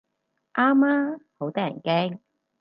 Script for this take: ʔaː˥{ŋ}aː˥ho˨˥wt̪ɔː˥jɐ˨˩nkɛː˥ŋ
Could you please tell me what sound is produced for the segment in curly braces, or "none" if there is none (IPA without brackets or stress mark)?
m